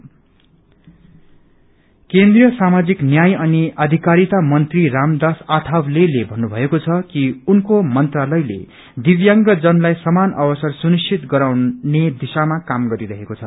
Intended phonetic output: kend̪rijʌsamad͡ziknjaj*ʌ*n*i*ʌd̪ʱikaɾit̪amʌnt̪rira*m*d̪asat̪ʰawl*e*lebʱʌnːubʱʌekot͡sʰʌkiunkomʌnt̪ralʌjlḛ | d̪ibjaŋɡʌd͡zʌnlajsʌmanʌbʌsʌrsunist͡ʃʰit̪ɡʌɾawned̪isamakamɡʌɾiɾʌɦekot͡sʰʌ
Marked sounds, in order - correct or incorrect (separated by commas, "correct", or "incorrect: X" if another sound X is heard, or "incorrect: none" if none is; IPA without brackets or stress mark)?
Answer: correct, correct, correct, correct